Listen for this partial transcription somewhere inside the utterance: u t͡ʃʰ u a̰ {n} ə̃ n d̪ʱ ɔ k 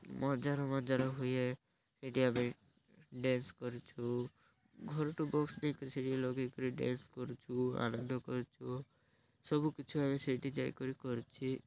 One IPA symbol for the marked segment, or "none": n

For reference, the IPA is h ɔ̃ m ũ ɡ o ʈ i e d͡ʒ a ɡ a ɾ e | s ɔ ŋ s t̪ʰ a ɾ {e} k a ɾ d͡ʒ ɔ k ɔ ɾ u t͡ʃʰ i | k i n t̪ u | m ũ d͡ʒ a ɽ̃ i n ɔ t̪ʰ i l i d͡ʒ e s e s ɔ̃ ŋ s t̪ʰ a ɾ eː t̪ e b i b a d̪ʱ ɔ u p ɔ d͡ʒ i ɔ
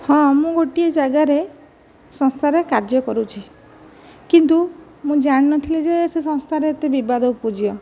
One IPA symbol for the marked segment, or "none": e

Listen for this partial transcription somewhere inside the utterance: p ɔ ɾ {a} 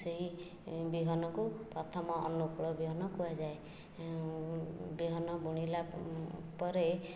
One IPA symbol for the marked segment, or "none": e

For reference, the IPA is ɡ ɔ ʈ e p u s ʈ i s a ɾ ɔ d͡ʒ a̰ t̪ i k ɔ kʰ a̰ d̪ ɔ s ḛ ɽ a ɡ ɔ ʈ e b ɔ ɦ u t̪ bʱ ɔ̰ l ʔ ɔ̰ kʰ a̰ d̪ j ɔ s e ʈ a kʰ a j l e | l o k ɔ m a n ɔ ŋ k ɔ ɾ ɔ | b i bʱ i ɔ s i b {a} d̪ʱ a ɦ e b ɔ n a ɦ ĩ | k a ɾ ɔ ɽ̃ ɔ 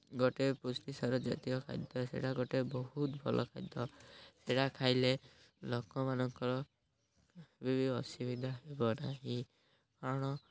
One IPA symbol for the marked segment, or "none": i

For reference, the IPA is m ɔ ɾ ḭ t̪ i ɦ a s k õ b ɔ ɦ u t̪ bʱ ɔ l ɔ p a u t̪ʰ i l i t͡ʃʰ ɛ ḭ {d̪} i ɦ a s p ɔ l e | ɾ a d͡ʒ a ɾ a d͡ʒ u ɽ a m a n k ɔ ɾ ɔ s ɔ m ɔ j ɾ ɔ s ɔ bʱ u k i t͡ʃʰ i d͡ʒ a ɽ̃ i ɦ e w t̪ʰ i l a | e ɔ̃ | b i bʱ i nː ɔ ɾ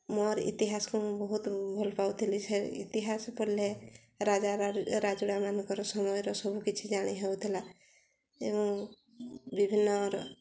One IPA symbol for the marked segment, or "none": t̪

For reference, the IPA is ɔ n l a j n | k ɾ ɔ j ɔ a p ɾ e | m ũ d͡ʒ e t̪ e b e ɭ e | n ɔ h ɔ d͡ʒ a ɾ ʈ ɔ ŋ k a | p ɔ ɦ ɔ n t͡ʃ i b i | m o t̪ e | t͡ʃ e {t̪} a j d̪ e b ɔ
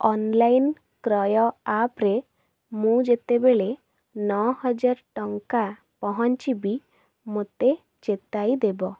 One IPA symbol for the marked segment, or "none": t̪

